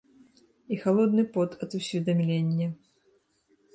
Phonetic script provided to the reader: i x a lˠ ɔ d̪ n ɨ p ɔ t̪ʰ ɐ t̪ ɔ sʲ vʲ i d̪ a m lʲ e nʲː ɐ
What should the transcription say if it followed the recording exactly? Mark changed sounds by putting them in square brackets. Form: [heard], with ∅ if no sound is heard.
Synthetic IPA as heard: i x a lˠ ɔ d̪ n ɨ p ɔ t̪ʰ ɐ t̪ [u] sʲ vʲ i d̪ a m lʲ e nʲː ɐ